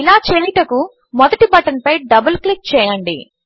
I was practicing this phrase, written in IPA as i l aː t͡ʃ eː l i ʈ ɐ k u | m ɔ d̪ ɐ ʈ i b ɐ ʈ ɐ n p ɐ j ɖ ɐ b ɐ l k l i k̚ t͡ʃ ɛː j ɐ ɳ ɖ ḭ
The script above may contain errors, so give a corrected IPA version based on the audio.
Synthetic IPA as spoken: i l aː t͡ʃ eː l i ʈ ɐ k u | m ɔ d̪ ɐ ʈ i b ɐ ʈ ɐ n p ɐ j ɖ ɐ b ɐ l k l i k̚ t͡ʃ ɛː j ɐ ɳ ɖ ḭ